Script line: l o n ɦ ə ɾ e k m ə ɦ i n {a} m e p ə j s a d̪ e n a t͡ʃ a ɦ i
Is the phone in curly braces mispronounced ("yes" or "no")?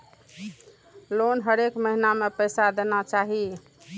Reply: no